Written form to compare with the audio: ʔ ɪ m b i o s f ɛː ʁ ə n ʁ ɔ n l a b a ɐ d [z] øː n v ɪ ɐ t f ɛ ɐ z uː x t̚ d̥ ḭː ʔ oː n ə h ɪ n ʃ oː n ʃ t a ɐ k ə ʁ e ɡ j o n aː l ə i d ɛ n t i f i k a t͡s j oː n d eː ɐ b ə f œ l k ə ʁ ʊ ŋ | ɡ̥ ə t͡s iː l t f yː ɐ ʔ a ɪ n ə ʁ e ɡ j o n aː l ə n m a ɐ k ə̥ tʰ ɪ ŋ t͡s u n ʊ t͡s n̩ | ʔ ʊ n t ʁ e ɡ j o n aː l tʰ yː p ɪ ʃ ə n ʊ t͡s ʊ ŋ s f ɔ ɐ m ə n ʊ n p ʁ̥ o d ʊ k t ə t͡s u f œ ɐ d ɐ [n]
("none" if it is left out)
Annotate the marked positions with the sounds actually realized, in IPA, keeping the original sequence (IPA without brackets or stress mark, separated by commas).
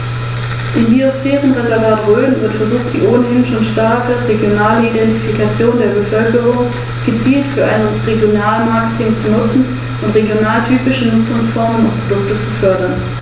ʁ, n